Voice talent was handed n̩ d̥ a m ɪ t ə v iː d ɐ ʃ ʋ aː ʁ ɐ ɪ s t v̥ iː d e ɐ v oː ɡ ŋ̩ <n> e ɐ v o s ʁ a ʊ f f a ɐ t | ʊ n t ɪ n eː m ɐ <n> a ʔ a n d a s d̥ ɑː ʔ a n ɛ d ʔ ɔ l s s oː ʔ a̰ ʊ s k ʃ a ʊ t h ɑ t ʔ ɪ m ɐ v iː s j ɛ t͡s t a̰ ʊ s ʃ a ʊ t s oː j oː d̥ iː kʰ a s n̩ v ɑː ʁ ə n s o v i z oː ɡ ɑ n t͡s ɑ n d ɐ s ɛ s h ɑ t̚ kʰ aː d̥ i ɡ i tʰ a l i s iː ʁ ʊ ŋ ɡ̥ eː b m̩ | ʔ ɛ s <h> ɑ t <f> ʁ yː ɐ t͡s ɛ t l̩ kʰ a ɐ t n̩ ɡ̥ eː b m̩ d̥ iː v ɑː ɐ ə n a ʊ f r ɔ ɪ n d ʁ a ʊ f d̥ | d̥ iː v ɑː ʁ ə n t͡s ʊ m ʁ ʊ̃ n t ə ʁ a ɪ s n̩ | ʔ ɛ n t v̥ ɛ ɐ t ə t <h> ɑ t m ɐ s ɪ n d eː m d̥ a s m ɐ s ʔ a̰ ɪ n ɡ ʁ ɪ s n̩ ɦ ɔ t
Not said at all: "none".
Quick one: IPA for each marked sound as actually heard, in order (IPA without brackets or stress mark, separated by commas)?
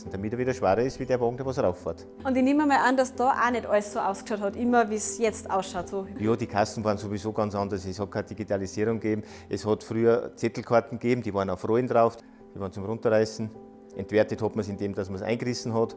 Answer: d, m, h, f, h